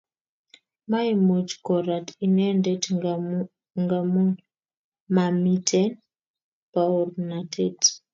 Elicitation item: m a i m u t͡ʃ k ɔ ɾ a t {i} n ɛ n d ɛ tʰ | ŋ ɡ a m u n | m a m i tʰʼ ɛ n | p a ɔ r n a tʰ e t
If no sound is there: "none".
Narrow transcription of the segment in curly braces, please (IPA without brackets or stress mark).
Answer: i